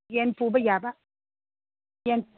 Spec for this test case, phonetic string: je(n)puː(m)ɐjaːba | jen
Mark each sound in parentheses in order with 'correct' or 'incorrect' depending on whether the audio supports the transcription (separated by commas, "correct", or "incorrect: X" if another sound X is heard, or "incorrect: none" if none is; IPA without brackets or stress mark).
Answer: correct, incorrect: b